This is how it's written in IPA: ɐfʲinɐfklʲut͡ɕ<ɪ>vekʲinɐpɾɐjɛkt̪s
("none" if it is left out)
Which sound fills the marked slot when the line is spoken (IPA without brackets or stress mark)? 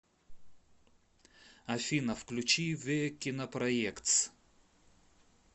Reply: i